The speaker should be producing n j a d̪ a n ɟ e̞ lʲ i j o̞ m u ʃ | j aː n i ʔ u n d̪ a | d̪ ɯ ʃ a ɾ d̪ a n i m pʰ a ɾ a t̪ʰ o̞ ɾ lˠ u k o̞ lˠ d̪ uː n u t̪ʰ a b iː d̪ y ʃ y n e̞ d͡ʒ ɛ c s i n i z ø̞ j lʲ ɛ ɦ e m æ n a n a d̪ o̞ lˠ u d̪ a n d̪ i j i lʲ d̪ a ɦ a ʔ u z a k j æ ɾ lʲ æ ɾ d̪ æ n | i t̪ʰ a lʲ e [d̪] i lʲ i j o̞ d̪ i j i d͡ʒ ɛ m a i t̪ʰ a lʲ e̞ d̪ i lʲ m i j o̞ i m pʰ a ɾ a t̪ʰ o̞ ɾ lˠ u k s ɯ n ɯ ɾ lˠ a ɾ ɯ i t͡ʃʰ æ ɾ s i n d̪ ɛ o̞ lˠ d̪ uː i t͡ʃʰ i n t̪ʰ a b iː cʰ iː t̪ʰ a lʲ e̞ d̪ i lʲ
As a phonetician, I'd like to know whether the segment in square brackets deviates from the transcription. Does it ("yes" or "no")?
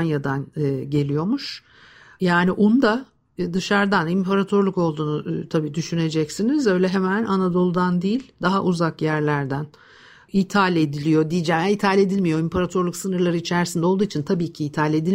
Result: no